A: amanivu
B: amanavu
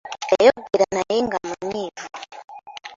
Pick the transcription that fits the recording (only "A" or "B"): A